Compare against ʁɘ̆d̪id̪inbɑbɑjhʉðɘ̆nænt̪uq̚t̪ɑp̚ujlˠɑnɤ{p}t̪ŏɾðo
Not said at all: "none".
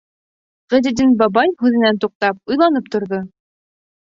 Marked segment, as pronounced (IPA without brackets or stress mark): p